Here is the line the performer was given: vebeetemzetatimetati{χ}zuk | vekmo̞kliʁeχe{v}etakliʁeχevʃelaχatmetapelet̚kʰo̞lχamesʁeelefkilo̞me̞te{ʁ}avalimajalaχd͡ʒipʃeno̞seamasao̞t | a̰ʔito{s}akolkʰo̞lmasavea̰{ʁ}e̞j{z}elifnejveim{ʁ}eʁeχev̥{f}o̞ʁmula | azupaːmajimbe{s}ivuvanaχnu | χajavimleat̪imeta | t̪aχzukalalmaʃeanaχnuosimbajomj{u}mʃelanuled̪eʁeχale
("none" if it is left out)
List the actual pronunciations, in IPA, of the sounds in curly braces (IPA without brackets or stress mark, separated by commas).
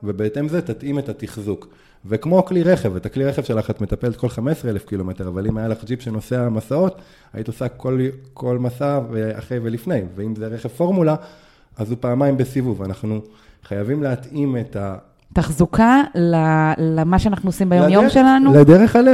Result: χ, v, ʁ, s, χ, v, z, f, s, o